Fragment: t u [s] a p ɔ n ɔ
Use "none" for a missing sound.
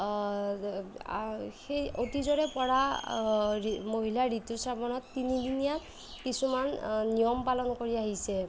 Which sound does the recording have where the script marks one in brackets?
s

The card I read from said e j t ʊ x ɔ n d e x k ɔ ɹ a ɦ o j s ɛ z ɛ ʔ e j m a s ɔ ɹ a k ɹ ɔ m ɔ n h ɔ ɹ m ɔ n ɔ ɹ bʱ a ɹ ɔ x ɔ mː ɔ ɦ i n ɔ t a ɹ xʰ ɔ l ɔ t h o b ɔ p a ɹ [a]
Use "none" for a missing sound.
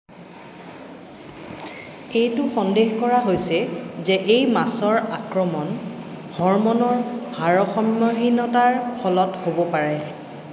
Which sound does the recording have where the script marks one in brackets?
ɛ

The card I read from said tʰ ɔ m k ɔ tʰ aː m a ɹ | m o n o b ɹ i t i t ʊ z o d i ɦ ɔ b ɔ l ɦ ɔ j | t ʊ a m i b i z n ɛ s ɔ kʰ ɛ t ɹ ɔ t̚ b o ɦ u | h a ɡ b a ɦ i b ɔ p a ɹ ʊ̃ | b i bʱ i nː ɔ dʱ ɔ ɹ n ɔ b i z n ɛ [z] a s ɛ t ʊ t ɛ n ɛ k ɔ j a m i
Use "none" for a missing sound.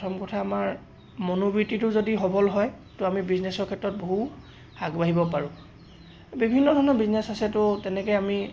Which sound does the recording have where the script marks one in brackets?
s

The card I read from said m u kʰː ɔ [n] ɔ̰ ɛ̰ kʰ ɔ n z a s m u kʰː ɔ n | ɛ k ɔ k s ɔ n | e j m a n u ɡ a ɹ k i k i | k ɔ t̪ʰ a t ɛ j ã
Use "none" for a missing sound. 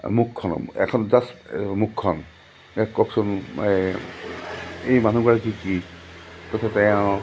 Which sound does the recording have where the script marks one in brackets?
n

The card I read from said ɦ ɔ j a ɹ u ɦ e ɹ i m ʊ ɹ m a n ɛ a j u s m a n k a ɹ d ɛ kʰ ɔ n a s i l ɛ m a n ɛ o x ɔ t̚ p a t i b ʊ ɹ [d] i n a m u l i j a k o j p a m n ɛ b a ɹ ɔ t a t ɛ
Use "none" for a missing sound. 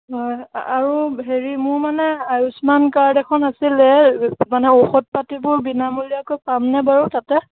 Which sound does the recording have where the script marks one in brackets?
b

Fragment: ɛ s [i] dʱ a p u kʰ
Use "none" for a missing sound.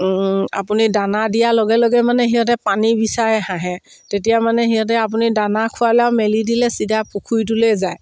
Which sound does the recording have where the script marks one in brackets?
i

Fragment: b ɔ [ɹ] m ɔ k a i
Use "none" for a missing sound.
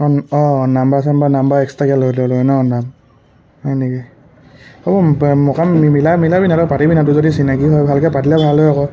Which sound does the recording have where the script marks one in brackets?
none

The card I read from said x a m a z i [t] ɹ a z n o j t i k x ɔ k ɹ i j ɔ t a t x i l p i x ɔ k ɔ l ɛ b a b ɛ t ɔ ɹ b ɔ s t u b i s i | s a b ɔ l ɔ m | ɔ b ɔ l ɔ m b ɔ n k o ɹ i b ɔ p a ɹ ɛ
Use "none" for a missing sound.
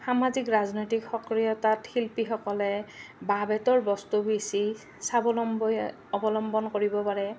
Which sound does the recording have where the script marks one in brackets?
k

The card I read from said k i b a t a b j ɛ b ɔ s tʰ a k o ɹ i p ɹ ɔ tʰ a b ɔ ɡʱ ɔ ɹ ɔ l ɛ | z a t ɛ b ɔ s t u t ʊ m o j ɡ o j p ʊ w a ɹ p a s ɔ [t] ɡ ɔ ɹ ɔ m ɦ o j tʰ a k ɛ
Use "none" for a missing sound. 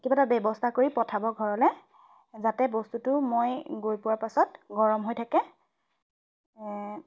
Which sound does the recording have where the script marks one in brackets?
t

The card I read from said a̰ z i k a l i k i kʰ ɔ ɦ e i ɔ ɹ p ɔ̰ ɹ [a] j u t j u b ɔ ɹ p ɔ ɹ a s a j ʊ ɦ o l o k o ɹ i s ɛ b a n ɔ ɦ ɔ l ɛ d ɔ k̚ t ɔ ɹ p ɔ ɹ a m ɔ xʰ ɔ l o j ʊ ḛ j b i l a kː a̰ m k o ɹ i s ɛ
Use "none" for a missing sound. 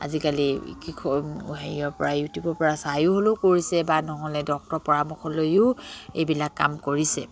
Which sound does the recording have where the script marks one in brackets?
a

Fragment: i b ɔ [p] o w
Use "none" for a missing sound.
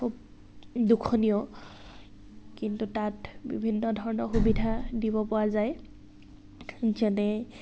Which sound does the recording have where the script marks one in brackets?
p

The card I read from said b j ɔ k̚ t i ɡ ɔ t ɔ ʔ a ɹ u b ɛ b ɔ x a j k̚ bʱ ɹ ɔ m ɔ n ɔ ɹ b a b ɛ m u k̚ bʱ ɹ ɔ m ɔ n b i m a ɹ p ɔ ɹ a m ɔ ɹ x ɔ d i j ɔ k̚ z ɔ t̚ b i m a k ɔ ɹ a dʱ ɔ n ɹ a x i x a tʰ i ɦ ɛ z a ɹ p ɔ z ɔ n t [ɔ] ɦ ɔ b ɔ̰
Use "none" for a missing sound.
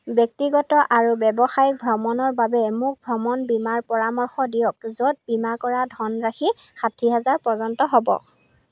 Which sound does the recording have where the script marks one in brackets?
ɔ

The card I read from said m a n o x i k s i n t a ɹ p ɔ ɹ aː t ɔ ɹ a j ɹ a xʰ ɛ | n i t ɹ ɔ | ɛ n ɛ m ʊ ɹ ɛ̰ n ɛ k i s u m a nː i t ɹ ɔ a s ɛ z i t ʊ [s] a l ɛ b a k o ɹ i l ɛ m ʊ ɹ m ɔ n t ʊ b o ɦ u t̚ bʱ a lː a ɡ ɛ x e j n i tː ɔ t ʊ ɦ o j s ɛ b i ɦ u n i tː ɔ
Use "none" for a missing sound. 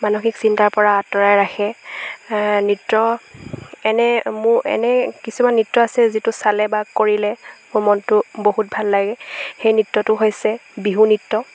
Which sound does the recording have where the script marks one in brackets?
s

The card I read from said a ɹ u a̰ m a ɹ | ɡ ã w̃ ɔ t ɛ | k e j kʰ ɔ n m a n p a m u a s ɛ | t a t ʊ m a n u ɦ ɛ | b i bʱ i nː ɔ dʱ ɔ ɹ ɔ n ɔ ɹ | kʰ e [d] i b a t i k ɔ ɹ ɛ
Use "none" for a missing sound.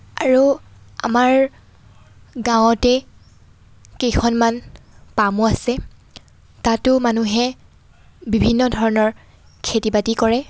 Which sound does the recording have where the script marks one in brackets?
t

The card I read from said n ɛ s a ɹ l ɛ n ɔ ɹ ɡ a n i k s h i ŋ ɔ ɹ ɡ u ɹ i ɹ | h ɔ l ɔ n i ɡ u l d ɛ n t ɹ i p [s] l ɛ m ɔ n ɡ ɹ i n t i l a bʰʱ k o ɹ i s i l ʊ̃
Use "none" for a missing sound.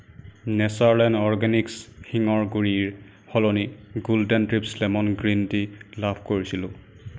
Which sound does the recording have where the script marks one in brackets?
s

